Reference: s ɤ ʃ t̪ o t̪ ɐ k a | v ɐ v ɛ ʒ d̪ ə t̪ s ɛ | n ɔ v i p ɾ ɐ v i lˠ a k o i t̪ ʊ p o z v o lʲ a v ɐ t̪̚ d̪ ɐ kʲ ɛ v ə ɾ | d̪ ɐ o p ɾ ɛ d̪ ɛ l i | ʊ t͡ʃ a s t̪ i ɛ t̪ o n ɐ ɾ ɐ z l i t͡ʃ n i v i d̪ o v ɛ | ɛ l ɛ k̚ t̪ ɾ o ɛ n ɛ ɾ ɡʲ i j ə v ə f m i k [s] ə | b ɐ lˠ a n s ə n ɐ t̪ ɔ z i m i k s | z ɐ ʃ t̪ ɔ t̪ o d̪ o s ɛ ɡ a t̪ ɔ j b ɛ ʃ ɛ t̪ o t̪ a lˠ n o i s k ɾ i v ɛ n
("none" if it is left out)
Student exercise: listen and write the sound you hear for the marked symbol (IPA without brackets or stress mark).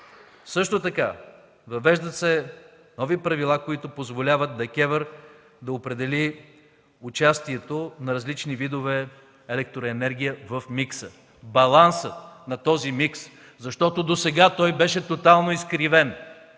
s